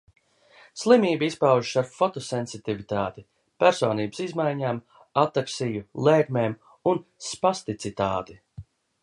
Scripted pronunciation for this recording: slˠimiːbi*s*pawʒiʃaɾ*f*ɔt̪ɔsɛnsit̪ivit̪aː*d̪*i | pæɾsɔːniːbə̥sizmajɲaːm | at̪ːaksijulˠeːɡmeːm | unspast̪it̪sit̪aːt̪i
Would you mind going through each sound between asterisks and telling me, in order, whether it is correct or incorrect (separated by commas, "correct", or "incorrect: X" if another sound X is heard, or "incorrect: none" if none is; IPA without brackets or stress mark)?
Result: correct, correct, incorrect: t̪